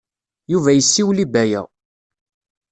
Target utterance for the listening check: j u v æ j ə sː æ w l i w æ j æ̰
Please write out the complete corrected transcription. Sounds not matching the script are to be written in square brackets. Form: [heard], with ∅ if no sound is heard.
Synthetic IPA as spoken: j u v æ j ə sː [i] w l i [b] æ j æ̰